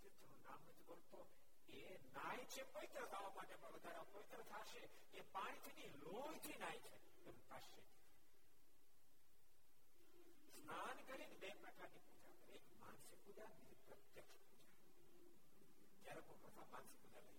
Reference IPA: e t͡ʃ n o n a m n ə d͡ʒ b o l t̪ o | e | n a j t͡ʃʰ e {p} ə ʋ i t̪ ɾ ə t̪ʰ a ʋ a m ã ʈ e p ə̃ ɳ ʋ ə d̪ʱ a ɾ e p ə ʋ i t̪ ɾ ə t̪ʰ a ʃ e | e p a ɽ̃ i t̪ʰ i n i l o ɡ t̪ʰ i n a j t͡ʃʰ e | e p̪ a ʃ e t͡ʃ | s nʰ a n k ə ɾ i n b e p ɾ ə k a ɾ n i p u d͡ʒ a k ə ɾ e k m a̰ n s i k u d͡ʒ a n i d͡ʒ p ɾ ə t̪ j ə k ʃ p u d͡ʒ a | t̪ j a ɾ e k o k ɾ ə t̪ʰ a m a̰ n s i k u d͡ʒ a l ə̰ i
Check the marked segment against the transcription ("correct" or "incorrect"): correct